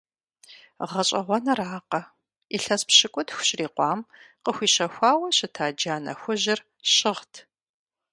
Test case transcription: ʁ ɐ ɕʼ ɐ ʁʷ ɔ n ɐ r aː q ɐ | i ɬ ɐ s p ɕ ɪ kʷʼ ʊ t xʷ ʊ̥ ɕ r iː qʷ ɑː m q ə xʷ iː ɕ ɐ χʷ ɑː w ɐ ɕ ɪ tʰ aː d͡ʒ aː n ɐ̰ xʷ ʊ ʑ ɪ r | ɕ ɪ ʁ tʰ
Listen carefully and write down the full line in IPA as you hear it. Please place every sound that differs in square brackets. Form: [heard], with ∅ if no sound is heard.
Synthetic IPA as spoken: ʁ ɐ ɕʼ ɐ ʁʷ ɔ n ɐ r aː q ɐ | i ɬ ɐ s p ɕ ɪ kʷʼ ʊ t xʷ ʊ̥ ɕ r iː qʷ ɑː m q ə xʷ iː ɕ ɐ [xʷ] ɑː w ɐ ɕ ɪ tʰ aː d͡ʒ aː n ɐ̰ xʷ ʊ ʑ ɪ r | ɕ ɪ ʁ tʰ